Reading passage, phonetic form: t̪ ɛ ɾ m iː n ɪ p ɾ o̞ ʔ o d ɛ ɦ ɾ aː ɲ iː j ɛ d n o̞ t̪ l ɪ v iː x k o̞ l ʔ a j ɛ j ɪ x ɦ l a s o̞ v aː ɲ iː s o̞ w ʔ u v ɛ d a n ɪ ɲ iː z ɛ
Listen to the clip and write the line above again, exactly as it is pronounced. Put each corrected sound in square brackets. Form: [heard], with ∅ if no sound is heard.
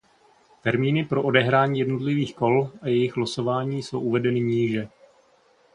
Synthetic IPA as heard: t̪ ɛ ɾ m iː n ɪ p ɾ o̞ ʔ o d ɛ ɦ ɾ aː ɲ iː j ɛ d n o̞ t̪ l ɪ v iː x k o̞ l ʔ a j ɛ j ɪ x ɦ l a s o̞ v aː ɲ iː s o̞ w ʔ u v ɛ d [ɛ] n ɪ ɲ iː [ʒ] ɛ